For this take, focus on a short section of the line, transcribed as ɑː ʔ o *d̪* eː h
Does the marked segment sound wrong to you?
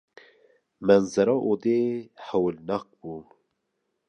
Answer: no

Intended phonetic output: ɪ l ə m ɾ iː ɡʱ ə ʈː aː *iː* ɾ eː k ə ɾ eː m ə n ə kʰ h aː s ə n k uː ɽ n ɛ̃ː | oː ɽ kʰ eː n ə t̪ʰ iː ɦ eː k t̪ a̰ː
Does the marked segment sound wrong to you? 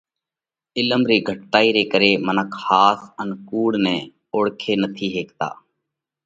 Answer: no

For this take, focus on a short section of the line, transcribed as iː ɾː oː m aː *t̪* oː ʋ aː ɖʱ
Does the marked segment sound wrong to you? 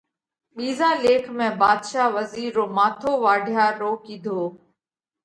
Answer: yes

